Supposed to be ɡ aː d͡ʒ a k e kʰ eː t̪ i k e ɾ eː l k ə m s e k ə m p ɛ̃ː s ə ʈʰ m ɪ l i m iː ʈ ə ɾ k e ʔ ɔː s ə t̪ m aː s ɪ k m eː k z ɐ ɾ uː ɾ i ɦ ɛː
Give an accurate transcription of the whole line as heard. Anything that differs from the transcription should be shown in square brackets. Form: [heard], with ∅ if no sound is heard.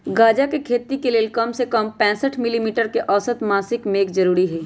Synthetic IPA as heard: ɡ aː d͡ʒ a k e kʰ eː t̪ i k e [l] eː l k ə m s e k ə m p ɛ̃ː s ə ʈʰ m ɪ l i m iː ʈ ə ɾ k e ʔ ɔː s ə t̪ m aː s ɪ k m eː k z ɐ ɾ uː ɾ i ɦ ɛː